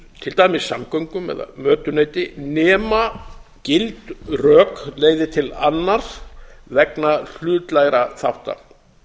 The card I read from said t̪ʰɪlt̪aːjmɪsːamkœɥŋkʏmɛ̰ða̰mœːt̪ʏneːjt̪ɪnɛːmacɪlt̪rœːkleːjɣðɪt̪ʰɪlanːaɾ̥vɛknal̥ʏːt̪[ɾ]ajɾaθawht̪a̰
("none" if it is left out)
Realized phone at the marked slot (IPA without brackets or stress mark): l